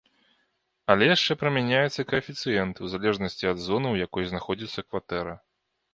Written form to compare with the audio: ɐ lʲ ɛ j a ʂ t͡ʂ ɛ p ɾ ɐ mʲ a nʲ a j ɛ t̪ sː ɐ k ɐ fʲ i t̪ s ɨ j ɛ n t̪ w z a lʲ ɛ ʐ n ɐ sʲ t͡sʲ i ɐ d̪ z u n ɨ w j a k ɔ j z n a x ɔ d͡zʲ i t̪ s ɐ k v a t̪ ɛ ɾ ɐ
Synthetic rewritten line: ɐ lʲ ɛ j a ʂ t͡ʂ ɛ p ɾ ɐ mʲ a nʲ a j ɛ t̪ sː ɐ k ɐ fʲ i t̪ s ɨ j ɛ n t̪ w z a lʲ ɛ ʐ n ɐ sʲ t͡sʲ i ɐ d̪ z ɔ n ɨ w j a k ɔ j z n a x ɔ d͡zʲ i t̪ sː ɐ k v a t̪ ɛ ɾ ɐ